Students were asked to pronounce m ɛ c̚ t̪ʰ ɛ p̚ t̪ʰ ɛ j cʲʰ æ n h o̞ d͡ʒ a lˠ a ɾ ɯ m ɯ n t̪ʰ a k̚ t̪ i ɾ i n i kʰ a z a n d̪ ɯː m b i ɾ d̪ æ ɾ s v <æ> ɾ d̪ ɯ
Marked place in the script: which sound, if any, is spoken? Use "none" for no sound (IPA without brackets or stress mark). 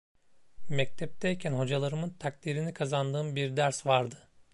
a